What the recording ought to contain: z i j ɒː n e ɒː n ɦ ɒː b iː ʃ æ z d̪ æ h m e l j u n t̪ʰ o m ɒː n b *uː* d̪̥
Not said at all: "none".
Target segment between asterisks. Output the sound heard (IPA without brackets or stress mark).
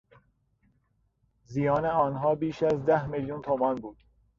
uː